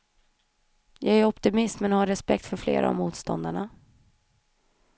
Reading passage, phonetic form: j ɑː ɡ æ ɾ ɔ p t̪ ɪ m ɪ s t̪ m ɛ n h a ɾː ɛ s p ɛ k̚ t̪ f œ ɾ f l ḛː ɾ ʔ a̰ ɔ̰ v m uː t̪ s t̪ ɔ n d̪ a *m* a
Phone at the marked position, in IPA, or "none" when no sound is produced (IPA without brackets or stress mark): ɳ